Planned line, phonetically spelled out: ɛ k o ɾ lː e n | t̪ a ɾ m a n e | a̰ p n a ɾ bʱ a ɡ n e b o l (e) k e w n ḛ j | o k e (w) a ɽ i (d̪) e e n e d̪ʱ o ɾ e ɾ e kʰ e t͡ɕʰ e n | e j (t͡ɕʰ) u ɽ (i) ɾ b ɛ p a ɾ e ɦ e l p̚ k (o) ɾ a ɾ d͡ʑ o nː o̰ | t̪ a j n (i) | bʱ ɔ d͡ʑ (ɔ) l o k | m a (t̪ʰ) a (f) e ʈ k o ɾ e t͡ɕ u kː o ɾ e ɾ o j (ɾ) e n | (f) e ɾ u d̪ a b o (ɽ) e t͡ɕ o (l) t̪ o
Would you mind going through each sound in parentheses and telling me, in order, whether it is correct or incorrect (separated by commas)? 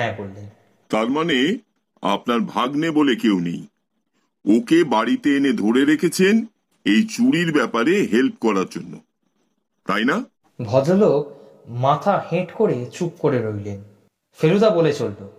correct, incorrect, incorrect, incorrect, correct, incorrect, incorrect, incorrect, correct, incorrect, incorrect, correct, incorrect, correct